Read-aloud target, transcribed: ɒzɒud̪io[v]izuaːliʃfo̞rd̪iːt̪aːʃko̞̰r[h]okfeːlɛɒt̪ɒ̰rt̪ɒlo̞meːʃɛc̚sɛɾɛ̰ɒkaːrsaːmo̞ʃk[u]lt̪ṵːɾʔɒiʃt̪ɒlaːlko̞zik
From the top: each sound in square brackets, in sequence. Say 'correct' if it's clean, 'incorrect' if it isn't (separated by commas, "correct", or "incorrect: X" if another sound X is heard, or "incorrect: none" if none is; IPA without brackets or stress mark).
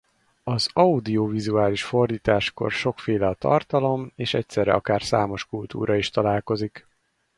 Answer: correct, incorrect: ʃ, correct